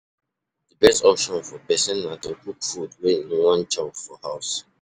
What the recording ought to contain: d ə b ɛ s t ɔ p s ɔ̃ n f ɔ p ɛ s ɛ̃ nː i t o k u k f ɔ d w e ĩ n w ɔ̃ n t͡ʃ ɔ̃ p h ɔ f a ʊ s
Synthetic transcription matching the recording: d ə b ɛ s t ɔ p ʃ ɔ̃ n f ɔ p ɛ s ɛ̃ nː a t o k u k f u d w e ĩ n w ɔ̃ n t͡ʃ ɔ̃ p f ɔ h a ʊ s